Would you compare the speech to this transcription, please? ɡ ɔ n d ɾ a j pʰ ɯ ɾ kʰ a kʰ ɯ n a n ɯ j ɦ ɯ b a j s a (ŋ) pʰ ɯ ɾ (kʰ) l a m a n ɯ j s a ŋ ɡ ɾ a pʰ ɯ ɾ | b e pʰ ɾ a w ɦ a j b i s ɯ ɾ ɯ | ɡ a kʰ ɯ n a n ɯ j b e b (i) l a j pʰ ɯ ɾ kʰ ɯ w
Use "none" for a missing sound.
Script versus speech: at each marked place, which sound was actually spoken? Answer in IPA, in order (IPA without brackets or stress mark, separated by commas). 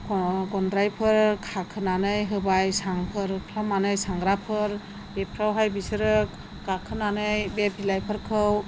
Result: ŋ, kʰ, i